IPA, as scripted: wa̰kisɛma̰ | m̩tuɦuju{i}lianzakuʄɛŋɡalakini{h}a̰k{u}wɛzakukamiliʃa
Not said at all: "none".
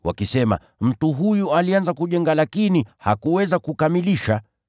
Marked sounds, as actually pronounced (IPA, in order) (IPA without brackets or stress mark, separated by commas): a, h, u